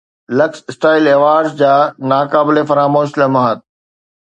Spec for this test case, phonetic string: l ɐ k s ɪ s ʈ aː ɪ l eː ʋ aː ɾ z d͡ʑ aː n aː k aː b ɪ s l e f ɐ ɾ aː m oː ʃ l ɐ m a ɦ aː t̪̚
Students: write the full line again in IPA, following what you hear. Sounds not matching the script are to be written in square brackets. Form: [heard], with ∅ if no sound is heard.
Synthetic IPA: l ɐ k s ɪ s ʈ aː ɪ l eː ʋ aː ɾ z d͡ʑ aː n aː k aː b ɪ [∅] l e f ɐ ɾ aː m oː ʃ l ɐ m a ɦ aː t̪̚